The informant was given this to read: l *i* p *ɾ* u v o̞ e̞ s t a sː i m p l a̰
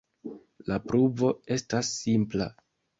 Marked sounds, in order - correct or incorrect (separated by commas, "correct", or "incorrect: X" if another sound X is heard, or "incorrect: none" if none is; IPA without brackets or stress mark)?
incorrect: a, correct